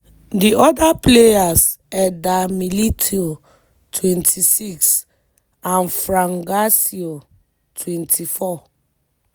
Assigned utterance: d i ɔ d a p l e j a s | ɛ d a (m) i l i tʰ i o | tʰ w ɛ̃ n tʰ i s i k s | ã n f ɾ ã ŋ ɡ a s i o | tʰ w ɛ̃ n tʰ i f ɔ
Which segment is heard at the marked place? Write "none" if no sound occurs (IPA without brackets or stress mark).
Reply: m